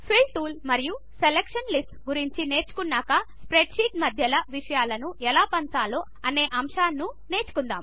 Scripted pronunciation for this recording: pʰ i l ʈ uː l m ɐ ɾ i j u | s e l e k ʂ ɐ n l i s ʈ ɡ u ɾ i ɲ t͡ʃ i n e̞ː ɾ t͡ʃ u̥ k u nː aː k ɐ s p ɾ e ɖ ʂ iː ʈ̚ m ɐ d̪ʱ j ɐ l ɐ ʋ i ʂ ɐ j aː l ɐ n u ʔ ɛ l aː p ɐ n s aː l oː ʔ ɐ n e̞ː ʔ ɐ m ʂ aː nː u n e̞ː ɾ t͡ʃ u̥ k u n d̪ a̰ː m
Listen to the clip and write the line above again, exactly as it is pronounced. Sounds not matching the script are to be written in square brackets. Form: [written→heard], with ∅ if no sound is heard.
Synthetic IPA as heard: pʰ i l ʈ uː l m ɐ ɾ i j u | s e l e k ʂ ɐ n l i s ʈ ɡ u ɾ i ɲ t͡ʃ i n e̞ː ɾ t͡ʃ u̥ k u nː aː k ɐ s p ɾ e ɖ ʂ iː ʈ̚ m ɐ d̪ʱ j ɐ l ɐ ʋ i ʂ ɐ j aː l ɐ n u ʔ ɛ l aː p ɐ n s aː l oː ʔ ɐ n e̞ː ʔ ɐ m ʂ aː nː u n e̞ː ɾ t͡ʃ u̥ k u n d̪ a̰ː m